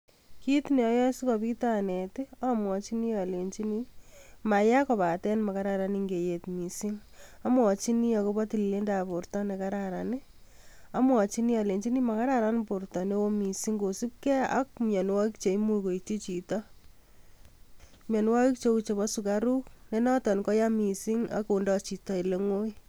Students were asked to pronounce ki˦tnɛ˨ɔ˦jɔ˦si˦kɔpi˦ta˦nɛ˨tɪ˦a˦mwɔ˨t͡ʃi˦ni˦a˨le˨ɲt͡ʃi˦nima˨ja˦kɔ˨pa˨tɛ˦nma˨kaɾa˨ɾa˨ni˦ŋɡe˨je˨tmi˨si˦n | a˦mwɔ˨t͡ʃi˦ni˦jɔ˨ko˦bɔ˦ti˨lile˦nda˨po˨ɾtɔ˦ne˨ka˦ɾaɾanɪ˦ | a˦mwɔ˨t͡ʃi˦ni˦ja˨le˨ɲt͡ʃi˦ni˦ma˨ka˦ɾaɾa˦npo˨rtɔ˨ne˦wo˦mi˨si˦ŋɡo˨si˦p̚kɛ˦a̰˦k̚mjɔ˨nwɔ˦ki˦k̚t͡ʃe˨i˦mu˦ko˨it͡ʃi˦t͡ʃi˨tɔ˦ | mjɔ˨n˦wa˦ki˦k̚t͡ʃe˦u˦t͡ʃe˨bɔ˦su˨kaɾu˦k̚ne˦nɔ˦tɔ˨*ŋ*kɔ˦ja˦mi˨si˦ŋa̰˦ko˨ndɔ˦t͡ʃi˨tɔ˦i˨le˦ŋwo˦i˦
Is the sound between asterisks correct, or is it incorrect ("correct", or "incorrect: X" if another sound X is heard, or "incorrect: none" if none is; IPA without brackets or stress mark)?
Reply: incorrect: n